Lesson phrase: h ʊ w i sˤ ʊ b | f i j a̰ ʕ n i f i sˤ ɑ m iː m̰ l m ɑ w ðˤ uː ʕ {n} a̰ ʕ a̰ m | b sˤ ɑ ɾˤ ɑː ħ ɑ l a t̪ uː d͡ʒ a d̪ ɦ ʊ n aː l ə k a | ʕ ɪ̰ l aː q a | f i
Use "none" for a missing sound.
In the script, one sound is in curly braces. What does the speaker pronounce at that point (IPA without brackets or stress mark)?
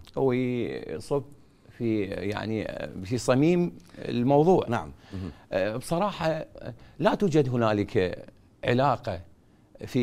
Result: n